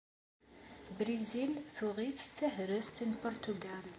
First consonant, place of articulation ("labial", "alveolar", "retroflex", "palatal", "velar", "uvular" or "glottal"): labial